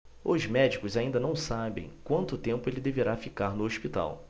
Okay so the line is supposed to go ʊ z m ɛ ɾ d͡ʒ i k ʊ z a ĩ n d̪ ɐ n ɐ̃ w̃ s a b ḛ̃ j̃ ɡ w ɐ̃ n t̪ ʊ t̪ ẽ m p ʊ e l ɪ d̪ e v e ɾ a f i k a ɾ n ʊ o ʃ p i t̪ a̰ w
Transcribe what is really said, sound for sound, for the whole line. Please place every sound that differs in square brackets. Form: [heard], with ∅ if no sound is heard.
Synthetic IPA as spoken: ʊ z m ɛ [∅] d͡ʒ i k ʊ z a ĩ n d̪ ɐ n ɐ̃ w̃ s a b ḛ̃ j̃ [k] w ɐ̃ n t̪ ʊ t̪ ẽ m p ʊ e l ɪ d̪ e v e ɾ a f i k a ɾ n ʊ o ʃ p i t̪ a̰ w